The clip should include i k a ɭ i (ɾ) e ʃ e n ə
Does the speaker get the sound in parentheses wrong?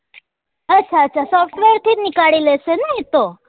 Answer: yes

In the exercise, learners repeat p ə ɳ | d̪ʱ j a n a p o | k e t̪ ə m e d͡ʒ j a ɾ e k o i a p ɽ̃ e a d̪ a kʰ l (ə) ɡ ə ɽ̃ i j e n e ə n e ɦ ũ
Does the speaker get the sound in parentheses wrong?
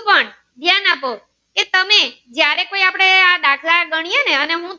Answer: yes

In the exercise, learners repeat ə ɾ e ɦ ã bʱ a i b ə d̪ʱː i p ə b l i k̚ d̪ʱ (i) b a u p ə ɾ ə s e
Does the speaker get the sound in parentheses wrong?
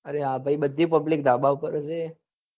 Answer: yes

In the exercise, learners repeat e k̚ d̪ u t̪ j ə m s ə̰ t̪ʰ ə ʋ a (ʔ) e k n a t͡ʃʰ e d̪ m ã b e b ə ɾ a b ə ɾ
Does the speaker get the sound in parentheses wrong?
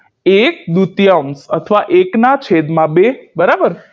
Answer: no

